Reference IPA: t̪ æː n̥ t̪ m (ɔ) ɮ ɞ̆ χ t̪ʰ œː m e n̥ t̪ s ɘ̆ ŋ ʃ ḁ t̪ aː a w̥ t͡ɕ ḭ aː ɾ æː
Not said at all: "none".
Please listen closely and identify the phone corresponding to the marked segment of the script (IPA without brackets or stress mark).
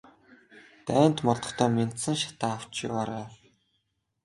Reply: ɔ